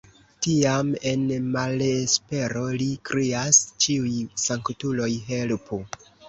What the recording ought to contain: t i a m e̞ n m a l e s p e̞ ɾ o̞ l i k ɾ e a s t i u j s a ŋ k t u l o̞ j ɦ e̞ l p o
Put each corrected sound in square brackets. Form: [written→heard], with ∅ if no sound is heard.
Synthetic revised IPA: t i a m e̞ n m a l e s p e̞ ɾ o̞ l i k ɾ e a s [t→t͡ʃ] i u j s a ŋ k t u l o̞ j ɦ e̞ l p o